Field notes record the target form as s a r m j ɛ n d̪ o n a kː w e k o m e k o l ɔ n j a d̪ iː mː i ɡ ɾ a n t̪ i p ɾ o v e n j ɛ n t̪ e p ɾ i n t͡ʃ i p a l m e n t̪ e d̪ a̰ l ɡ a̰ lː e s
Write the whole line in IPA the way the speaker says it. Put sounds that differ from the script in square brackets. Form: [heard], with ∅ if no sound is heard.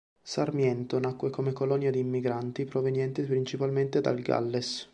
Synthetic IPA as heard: s a r m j ɛ n [t̪] o n a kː w e k o m e k o l ɔ n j a d̪ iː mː i ɡ ɾ a n t̪ i p ɾ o v e n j ɛ n t̪ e p ɾ i n t͡ʃ i p a l m e n t̪ e d̪ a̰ l ɡ a̰ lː e s